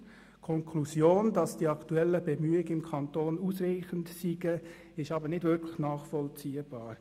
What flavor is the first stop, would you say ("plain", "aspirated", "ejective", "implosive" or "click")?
aspirated